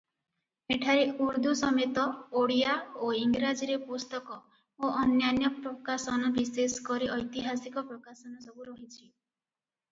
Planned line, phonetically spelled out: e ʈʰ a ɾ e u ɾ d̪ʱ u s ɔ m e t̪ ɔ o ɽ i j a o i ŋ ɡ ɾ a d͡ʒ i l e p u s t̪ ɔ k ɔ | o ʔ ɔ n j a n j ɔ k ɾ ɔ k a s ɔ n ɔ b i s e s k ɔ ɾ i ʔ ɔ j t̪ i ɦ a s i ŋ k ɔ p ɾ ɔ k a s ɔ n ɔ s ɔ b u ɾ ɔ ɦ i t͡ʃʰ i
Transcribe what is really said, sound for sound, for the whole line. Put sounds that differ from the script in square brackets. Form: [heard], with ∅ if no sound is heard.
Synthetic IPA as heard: e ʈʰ a ɾ e u ɾ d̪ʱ u s ɔ m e t̪ ɔ o ɽ i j a o i ŋ ɡ ɾ a d͡ʒ i [ɾ] e p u s t̪ ɔ k ɔ | o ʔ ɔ n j a n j ɔ [p] ɾ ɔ k a s ɔ n ɔ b i s e s k ɔ ɾ i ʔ ɔ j t̪ i ɦ a s i [∅] k ɔ p ɾ ɔ k a s ɔ n ɔ s ɔ b u ɾ ɔ ɦ i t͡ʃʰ i